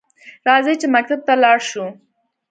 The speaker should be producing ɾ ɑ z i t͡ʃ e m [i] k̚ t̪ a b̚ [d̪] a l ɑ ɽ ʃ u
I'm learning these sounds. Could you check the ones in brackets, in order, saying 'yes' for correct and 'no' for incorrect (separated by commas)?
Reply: no, no